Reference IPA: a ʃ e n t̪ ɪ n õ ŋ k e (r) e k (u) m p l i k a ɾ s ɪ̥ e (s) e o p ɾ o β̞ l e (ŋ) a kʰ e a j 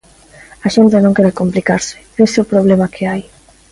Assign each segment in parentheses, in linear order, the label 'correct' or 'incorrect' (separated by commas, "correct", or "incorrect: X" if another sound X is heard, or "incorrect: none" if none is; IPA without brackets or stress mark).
incorrect: ɾ, incorrect: o, correct, incorrect: m